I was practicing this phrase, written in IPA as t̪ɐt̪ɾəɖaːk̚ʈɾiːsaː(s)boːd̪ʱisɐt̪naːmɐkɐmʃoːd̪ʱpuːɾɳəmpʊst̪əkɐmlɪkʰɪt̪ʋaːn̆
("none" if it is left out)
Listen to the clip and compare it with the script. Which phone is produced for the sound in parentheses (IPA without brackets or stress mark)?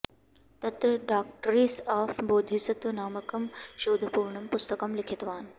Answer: f